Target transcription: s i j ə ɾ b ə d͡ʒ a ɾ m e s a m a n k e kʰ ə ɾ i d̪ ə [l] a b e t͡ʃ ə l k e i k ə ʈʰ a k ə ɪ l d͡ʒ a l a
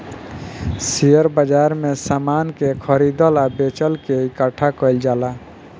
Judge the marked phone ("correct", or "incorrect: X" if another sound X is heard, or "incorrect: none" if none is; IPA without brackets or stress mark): correct